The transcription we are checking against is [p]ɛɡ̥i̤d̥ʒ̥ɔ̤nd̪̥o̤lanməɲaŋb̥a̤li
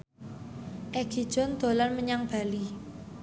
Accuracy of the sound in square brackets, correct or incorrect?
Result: incorrect